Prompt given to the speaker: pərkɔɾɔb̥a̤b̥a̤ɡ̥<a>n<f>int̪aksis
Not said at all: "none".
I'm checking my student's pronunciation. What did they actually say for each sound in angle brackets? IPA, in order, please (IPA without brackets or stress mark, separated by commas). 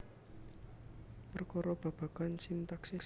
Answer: a, s